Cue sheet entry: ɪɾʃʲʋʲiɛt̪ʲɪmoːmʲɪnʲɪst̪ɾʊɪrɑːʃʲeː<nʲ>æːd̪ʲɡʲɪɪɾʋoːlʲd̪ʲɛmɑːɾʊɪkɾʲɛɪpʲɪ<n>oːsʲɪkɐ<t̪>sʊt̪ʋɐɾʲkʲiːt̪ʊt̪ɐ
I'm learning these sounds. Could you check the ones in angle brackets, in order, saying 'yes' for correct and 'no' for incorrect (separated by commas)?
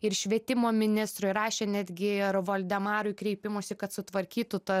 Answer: yes, no, yes